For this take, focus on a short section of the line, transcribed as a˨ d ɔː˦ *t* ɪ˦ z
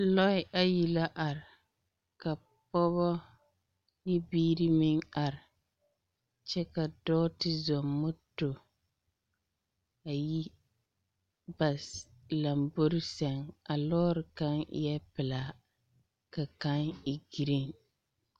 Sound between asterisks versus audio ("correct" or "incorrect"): correct